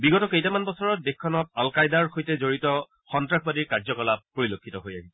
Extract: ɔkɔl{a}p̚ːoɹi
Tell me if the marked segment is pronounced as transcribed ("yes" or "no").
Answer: yes